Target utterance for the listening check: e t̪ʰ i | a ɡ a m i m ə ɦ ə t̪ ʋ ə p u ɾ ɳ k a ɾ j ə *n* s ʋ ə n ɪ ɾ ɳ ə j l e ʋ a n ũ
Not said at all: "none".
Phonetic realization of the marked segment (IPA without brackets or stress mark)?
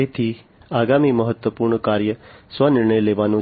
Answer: none